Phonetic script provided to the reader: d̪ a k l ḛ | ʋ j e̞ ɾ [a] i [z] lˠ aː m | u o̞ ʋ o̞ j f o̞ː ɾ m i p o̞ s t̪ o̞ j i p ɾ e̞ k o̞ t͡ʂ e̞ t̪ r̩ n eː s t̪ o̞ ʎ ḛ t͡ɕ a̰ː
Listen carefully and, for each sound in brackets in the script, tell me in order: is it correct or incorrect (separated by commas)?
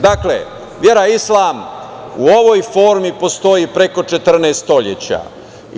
correct, incorrect